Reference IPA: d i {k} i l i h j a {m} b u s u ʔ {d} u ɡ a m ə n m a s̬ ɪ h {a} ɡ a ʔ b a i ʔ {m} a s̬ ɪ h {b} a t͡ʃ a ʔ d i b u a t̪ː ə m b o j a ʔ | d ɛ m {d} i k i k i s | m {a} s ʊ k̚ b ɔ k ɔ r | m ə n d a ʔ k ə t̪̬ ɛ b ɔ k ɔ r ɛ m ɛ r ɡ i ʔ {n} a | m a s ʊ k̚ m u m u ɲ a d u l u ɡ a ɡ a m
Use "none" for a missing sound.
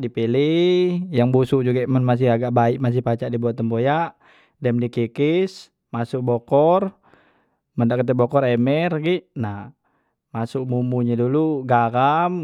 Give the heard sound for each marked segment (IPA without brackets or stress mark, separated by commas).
p, ŋ, d͡ʒ, a, m, p, d, a, n